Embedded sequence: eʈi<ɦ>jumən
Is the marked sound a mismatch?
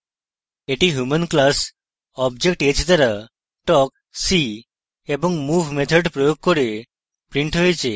no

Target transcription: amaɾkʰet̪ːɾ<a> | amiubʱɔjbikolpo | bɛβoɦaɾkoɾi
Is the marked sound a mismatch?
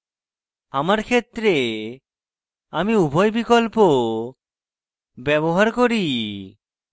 yes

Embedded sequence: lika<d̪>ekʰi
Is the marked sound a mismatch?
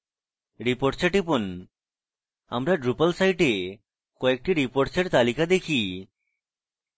no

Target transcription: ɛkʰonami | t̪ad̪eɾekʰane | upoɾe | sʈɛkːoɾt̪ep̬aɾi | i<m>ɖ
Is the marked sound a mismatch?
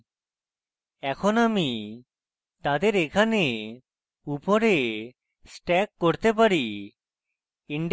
yes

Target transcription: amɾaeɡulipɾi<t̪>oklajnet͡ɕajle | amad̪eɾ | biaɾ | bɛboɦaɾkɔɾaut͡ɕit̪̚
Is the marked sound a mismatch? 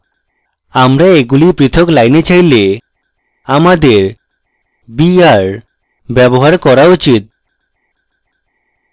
yes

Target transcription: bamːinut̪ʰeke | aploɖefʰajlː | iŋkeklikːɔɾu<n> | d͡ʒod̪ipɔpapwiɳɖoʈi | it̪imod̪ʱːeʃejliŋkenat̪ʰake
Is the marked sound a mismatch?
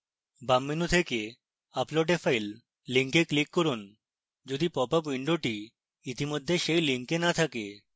no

